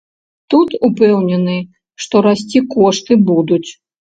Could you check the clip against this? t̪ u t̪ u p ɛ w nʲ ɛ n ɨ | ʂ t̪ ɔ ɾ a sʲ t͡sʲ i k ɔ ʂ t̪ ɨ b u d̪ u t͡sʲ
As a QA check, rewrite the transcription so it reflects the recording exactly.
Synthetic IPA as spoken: t̪ u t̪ u p ɛ w nʲ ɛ n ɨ | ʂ t̪ ɔ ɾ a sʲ t͡sʲ i k ɔ ʂ t̪ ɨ b u d̪ u t͡sʲ